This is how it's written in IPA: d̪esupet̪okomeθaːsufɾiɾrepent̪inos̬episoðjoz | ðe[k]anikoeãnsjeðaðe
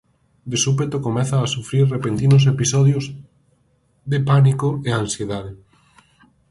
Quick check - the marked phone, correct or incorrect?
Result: incorrect